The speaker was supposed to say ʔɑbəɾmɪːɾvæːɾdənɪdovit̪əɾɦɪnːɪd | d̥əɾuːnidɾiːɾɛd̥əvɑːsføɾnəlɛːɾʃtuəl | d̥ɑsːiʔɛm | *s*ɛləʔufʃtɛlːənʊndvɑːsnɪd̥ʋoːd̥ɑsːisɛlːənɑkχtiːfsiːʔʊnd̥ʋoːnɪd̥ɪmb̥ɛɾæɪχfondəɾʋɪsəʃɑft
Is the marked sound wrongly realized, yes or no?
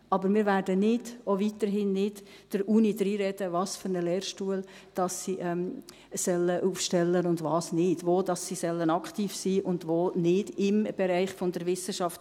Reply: no